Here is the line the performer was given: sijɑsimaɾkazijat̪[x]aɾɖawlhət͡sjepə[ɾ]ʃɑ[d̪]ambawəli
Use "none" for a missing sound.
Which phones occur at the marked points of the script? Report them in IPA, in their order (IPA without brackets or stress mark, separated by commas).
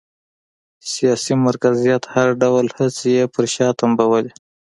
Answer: h, ɾ, t̪